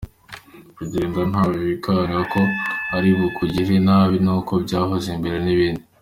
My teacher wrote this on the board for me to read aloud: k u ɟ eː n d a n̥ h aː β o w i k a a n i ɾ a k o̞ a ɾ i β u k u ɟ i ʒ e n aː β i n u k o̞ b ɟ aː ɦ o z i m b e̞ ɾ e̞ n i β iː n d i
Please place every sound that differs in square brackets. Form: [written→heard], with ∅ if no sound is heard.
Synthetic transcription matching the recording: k u ɟ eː n d a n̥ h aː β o [w→β] i k a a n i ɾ a k o̞ a ɾ i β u k u ɟ i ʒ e n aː β i n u k o̞ b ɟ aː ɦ o z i m b e̞ ɾ e̞ n i β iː n d i